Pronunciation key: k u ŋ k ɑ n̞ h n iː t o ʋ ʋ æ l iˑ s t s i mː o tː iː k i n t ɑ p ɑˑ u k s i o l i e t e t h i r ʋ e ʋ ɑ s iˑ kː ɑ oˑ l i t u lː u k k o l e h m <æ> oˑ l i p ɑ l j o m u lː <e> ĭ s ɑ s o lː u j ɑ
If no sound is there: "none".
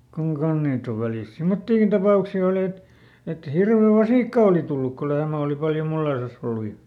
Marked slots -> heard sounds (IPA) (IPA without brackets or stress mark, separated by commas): æ, e